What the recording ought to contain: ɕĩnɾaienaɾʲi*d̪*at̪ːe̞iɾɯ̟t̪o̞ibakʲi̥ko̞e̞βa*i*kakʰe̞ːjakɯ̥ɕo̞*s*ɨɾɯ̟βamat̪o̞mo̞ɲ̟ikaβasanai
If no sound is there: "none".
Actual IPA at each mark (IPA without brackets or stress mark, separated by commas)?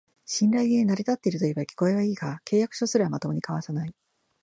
t̪, iː, s